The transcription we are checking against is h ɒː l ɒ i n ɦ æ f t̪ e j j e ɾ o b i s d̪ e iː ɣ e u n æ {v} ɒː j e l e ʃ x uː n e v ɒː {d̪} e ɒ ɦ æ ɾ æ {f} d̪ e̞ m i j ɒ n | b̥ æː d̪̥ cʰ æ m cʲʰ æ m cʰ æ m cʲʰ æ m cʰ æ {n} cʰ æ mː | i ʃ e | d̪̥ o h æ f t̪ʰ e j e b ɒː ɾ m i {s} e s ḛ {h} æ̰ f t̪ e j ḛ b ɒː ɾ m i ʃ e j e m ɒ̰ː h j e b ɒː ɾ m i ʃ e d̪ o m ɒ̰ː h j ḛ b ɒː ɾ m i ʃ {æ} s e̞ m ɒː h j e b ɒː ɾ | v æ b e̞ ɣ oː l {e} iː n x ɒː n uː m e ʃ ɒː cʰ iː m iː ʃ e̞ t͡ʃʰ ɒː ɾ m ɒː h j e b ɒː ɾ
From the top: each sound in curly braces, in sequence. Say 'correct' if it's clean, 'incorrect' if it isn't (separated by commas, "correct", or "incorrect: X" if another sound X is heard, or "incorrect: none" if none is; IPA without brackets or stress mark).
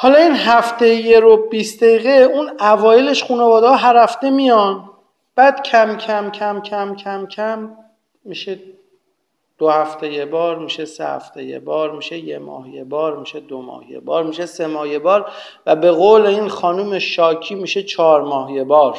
correct, correct, correct, incorrect: m, incorrect: ʃ, correct, incorrect: e, correct